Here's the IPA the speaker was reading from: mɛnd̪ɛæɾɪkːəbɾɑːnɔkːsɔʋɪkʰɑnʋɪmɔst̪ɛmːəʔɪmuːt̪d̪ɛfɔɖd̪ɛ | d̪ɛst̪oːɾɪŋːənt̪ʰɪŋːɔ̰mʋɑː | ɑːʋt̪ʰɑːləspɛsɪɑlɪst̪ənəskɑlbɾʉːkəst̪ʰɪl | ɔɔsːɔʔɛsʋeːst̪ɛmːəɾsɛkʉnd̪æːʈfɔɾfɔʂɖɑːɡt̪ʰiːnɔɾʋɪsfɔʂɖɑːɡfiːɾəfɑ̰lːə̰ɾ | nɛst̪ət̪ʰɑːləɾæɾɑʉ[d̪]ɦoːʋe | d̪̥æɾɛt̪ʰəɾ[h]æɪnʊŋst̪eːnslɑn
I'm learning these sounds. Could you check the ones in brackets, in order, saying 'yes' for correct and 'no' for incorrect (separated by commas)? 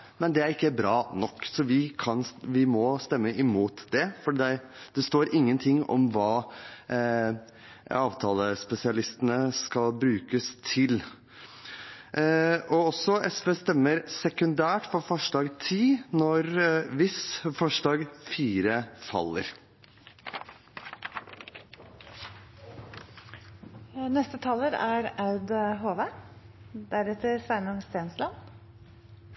yes, no